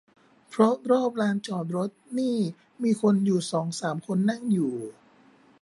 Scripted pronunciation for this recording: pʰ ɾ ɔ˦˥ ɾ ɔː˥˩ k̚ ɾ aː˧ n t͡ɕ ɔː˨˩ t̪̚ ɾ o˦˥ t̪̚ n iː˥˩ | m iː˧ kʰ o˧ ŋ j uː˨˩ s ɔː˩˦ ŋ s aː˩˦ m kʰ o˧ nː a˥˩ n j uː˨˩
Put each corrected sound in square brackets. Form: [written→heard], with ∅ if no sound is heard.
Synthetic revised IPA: pʰ ɾ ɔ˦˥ ɾ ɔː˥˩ [k̚→p̚] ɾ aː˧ n t͡ɕ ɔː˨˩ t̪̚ ɾ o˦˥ t̪̚ n iː˥˩ | m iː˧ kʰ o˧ [ŋ→n] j uː˨˩ s ɔː˩˦ ŋ s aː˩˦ m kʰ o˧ nː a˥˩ [n→ŋ] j uː˨˩